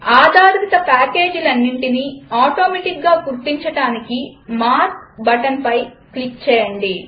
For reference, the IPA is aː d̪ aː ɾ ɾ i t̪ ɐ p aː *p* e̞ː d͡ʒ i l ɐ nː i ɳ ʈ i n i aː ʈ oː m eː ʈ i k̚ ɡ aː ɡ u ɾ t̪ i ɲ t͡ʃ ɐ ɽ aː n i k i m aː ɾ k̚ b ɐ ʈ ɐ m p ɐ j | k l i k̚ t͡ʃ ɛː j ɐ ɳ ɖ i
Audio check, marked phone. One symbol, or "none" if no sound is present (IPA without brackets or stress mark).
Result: k